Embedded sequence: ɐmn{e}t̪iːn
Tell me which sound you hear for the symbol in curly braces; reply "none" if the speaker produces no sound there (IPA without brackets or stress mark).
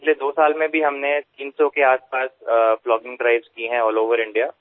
e